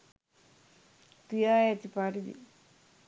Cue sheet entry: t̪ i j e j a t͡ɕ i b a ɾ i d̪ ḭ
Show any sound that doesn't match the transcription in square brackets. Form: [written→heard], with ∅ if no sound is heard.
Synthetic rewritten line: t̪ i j [e→a] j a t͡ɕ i [b→p] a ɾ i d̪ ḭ